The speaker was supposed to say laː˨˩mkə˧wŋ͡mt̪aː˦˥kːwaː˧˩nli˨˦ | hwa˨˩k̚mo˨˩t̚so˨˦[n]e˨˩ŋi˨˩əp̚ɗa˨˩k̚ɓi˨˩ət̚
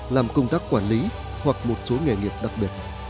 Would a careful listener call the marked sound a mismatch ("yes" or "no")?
yes